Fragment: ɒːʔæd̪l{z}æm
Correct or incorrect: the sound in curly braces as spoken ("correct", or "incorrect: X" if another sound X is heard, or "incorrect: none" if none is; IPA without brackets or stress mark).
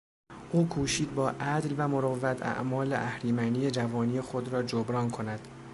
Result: incorrect: v